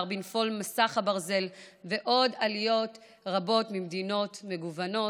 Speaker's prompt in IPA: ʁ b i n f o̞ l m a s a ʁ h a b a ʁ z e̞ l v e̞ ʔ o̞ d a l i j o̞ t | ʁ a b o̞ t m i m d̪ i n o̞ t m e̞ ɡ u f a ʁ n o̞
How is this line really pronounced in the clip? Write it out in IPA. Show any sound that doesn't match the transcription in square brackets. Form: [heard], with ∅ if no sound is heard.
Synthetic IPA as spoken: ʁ b i n f o̞ l m a s a [χ] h a b a ʁ z e̞ l v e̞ ʔ o̞ d a l i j o̞ t | ʁ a b o̞ t m i m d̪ i n o̞ t m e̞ ɡ u [v] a [∅] n o̞